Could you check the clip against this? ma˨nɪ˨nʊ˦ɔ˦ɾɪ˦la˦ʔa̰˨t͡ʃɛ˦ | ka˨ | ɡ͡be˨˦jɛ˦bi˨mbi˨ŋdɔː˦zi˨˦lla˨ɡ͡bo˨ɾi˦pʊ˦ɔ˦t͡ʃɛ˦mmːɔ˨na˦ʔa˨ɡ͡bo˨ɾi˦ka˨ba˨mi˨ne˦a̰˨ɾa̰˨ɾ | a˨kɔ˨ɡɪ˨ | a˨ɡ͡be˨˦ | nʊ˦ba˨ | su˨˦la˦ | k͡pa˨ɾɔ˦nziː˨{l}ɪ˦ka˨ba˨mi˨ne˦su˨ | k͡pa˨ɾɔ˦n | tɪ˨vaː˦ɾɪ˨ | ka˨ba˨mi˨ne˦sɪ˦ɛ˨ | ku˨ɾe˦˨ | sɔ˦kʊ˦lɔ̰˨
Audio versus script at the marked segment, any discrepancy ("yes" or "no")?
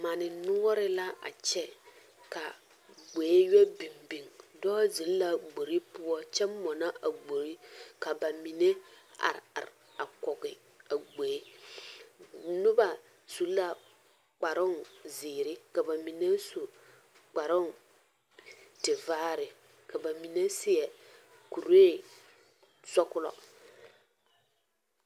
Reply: yes